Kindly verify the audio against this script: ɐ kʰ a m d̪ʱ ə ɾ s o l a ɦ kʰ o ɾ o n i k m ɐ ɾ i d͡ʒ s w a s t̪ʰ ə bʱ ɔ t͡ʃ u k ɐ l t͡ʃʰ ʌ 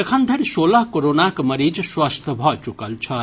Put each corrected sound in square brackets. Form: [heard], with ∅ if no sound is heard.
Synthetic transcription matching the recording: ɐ kʰ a [n] d̪ʱ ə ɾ s o l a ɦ [k] o ɾ o n [a] k m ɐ ɾ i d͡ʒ s w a s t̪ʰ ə bʱ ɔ t͡ʃ u k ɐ l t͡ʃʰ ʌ